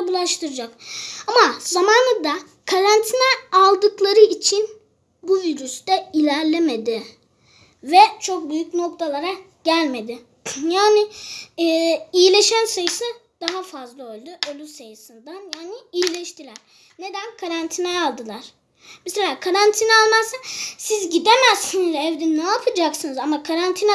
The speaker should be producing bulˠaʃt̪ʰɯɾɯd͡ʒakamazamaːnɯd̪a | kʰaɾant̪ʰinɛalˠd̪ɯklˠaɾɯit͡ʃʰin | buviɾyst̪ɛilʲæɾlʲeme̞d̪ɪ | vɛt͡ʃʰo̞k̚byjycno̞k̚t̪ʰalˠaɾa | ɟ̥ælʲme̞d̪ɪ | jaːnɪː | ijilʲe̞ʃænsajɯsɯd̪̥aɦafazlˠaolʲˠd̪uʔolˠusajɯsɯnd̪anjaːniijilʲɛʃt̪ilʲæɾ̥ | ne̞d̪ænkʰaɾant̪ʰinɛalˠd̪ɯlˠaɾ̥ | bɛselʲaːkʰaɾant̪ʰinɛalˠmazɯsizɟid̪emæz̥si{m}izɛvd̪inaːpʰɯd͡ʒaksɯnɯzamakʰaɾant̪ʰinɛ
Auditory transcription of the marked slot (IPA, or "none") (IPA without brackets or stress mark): n